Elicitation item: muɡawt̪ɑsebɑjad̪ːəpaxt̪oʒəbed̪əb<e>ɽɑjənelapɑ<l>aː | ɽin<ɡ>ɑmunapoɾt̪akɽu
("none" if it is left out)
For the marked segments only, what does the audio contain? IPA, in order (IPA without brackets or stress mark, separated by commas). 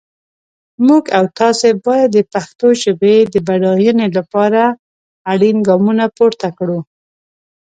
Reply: a, ɾ, ɡ